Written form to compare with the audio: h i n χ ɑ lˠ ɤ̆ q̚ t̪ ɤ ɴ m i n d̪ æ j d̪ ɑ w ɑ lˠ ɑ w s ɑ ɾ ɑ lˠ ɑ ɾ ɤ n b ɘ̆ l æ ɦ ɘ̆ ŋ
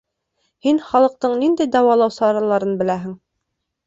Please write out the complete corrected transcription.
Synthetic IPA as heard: h i n χ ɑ lˠ ɤ̆ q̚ t̪ ɤ ɴ n i n d̪ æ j d̪ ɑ w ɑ lˠ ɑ w s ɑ ɾ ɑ lˠ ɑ ɾ ɤ n b ɘ̆ l æ ɦ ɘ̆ ŋ